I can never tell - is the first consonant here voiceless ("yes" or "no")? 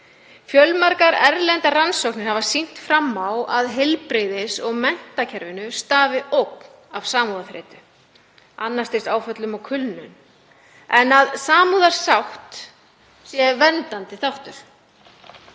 yes